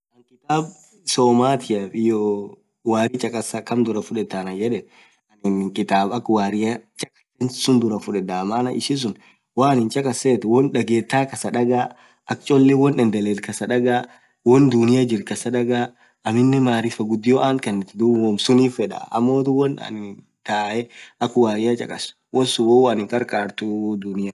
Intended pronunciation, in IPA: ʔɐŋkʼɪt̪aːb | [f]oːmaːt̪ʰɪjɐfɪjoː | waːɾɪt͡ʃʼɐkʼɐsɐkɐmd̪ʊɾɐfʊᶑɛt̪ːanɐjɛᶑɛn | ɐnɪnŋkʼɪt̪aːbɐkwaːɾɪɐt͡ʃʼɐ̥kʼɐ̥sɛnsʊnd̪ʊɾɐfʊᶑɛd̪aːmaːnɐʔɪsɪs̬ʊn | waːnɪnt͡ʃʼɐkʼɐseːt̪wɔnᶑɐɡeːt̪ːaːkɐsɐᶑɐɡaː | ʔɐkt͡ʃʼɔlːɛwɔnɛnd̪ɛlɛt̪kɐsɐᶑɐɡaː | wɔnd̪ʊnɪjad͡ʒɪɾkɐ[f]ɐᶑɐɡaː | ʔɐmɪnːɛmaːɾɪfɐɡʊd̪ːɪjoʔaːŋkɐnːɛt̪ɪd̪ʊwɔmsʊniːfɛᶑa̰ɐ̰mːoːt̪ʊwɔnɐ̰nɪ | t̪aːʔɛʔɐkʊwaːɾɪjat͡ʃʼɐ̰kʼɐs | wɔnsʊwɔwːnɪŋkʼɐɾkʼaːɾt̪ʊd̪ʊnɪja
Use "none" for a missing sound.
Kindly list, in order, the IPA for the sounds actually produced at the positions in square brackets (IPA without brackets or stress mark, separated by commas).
s, s